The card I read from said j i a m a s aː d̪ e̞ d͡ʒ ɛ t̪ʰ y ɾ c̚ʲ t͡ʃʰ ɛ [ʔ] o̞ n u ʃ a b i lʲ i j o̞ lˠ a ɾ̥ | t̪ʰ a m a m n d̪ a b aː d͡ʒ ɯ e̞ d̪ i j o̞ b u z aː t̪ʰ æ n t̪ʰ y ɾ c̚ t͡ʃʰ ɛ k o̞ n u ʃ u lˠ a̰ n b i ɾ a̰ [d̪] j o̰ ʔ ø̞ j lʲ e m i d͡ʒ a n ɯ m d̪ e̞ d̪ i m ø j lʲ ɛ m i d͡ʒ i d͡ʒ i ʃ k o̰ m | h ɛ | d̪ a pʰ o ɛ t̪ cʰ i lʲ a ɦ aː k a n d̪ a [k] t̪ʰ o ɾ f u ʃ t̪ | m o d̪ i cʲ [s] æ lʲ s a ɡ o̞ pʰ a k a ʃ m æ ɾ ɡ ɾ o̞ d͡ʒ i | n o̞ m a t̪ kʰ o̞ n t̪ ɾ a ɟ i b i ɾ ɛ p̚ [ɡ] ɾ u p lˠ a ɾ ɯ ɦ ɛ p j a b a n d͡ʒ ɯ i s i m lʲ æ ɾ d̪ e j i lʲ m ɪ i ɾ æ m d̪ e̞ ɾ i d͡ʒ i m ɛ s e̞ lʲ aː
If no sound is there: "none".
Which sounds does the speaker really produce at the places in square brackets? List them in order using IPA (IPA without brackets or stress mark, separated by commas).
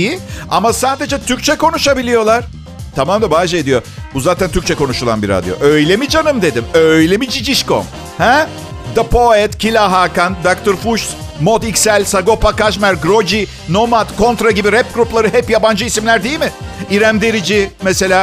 k, d̪, k, s, ɡ